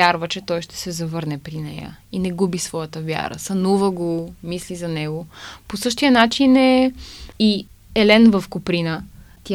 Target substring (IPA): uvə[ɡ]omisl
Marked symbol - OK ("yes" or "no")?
yes